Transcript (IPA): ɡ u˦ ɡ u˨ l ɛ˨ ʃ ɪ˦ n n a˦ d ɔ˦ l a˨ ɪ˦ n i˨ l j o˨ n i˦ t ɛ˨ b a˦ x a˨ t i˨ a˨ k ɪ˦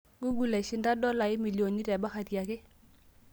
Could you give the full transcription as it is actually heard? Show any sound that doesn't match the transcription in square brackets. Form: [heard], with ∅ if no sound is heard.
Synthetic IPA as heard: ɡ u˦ ɡ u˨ l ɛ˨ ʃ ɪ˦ n [d] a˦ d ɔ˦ l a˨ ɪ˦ [m] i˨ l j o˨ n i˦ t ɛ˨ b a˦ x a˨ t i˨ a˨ k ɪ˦